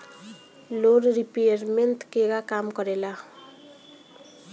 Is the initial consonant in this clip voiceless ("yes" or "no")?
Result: no